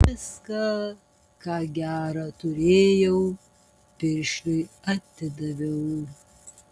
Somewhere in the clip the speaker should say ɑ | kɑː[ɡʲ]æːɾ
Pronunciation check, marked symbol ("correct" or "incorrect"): correct